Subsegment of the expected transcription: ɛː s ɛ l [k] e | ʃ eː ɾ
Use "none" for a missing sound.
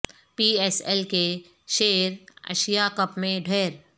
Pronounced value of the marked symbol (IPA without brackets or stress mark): k